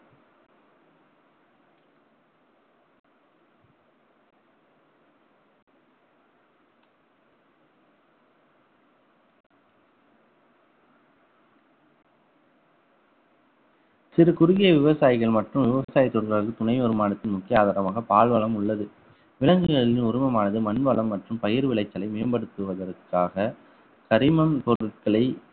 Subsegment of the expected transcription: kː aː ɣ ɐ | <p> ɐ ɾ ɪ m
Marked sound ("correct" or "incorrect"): incorrect